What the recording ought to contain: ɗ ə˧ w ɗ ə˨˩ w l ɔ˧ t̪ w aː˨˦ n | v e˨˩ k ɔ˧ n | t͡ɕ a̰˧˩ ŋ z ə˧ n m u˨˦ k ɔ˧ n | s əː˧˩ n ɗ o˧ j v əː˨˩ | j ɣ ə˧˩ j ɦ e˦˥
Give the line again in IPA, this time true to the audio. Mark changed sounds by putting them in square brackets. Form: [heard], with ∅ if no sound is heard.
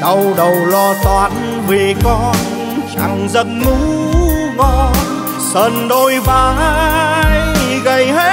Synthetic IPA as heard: ɗ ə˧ w ɗ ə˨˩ w l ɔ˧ t̪ w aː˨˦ n | v e˨˩ k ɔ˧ n | t͡ɕ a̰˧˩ ŋ z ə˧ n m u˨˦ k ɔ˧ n | s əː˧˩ n ɗ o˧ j v [aː˨˩] | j ɣ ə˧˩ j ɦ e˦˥